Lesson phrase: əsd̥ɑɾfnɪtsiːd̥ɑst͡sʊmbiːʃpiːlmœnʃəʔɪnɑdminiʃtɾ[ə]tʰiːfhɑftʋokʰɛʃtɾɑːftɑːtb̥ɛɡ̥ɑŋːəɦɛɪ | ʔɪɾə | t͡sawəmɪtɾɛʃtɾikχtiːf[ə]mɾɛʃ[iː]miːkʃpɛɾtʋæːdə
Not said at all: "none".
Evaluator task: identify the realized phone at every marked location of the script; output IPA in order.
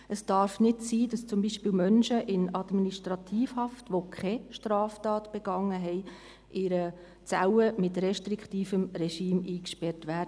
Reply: ɑ, ə, iː

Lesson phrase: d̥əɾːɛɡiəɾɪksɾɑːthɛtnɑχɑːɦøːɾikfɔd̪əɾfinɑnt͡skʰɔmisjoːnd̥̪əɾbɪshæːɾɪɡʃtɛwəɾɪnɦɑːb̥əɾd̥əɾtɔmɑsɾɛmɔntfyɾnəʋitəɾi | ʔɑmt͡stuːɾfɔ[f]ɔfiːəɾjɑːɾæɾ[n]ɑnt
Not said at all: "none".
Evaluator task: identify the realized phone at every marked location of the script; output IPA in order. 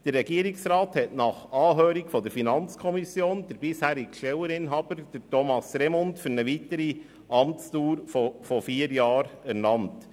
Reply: f, n

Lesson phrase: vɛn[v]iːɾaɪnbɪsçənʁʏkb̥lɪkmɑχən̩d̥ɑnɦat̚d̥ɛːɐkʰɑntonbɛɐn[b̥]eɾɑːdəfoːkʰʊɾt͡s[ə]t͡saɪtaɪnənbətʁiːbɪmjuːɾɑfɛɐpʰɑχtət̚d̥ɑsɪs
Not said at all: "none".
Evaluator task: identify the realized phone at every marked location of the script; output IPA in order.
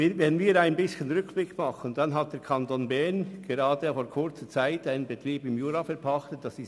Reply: v, ɡ̥, ə

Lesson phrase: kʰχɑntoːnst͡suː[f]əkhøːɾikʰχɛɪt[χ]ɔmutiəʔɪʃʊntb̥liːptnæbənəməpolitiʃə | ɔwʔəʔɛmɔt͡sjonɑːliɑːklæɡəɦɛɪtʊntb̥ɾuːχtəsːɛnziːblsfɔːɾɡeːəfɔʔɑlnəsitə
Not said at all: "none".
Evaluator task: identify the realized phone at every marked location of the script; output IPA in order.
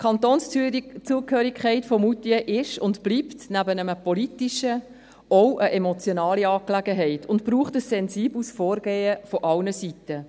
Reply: none, f

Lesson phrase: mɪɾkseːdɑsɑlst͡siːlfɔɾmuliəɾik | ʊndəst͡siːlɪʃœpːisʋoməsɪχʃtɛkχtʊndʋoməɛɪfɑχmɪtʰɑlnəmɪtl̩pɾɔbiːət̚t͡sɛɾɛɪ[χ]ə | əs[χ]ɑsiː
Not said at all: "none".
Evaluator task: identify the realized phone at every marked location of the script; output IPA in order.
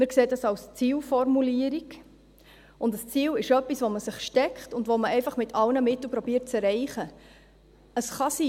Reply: χ, χ

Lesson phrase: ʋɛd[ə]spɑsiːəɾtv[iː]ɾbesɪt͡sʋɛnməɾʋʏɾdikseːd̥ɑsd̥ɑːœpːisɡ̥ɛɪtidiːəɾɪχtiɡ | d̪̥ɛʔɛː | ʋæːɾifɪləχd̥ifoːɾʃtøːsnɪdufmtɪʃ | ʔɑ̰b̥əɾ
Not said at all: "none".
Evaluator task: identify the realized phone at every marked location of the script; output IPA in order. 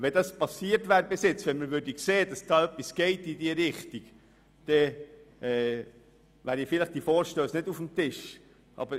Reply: ɑ, æː

